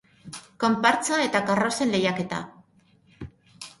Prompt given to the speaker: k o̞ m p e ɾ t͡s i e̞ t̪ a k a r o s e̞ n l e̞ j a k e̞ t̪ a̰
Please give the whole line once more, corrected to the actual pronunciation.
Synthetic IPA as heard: k o̞ m p a ɾ t͡s a e̞ t̪ a k a r o s e̞ n l e̞ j a k e̞ t̪ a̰